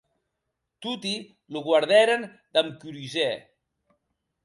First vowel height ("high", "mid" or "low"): high